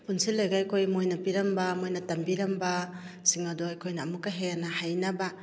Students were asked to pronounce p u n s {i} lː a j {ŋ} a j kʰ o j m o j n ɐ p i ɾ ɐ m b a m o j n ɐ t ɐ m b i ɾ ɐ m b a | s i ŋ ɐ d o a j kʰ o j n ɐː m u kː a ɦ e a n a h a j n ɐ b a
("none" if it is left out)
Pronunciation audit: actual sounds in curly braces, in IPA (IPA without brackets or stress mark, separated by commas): i, ɡ